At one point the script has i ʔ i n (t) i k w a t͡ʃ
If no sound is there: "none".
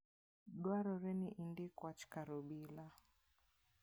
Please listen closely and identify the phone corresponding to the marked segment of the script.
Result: d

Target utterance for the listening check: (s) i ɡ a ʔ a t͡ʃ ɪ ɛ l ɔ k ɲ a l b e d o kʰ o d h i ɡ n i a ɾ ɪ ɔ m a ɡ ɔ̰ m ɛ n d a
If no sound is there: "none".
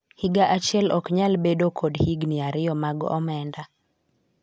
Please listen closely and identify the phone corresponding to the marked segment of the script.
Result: h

